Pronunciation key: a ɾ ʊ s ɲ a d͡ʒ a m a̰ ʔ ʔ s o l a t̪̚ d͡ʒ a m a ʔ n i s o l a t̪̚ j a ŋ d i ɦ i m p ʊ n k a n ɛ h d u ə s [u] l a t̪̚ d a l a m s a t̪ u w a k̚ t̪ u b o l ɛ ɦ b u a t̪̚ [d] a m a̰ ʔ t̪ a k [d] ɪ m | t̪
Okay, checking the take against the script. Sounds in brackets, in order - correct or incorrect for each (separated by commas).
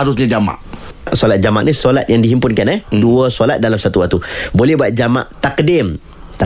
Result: incorrect, incorrect, correct